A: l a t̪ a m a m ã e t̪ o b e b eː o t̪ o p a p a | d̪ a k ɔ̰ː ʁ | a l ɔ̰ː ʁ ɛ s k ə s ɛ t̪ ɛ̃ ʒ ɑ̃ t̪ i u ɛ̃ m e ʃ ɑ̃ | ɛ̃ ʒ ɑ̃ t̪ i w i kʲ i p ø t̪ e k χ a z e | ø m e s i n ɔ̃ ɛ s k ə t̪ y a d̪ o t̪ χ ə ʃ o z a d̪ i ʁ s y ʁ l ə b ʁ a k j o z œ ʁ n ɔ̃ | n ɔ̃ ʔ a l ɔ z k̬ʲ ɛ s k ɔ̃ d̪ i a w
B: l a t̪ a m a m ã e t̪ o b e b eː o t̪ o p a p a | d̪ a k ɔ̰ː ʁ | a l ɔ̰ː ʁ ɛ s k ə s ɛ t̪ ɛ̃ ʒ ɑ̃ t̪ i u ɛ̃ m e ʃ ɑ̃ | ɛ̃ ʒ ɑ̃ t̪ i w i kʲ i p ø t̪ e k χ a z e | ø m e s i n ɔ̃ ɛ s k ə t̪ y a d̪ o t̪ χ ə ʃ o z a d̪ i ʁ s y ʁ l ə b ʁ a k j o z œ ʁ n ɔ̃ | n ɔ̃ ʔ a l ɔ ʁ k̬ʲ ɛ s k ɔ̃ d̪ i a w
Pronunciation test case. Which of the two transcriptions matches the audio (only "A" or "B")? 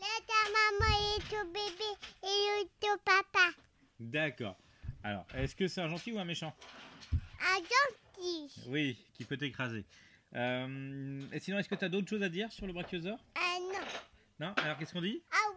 B